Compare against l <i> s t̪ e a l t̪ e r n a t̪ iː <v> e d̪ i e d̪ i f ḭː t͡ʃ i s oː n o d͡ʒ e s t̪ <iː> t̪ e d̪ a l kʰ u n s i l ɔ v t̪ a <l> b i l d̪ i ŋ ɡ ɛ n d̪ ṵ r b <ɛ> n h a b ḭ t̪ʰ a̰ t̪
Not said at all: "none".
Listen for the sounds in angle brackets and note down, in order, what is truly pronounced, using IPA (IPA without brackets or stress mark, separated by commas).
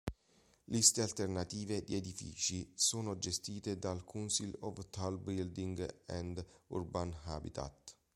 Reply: i, v, iː, l, a